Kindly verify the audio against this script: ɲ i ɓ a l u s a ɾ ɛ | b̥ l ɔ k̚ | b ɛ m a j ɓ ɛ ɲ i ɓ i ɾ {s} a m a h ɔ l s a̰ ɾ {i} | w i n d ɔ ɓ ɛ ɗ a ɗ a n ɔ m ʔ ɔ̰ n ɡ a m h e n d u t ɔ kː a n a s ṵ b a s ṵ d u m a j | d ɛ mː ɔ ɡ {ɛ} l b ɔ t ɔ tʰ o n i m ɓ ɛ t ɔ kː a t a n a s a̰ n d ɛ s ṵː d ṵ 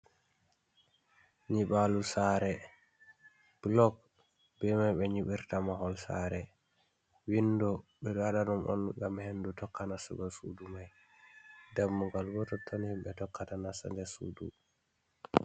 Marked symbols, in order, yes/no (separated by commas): no, no, no